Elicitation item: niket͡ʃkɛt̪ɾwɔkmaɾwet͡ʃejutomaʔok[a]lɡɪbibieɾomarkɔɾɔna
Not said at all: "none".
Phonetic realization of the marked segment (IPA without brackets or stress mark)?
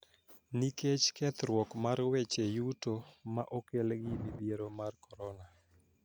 e